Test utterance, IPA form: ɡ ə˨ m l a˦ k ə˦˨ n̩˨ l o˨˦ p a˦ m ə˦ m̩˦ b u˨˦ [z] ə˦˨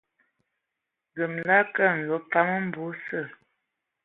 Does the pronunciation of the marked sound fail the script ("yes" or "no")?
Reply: yes